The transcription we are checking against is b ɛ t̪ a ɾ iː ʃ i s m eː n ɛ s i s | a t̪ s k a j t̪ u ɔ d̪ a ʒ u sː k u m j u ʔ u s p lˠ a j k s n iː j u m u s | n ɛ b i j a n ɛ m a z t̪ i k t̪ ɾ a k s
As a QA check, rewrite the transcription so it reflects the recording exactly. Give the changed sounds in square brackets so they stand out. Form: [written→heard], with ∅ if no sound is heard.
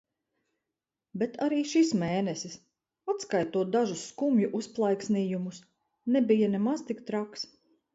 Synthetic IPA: b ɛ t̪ a ɾ iː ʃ i s m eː n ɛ s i s | a t̪ s k a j t̪ u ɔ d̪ a ʒ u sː k u m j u ʔ u s p lˠ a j k s n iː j u m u s | n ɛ b i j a n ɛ m a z t̪ i k t̪ ɾ a k s